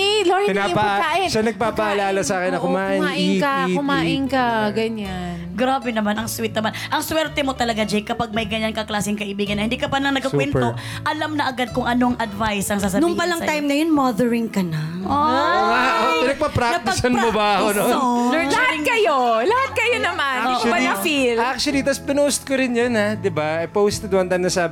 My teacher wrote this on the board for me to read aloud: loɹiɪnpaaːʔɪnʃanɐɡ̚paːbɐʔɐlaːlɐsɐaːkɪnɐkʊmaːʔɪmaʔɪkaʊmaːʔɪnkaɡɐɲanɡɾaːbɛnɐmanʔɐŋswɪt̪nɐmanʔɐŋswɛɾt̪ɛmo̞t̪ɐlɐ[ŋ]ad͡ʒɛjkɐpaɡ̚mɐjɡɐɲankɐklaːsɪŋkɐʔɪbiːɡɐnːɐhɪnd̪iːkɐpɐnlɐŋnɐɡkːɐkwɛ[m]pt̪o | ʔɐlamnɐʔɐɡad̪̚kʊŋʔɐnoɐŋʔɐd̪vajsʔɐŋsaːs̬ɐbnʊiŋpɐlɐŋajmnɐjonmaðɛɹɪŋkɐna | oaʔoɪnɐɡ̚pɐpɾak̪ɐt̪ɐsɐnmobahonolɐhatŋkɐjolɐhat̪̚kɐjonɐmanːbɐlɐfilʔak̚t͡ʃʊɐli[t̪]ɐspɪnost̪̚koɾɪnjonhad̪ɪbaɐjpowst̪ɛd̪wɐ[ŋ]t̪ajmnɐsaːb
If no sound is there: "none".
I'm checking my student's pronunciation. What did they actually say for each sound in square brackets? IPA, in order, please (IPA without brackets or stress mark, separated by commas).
ɡ, n, t̪, n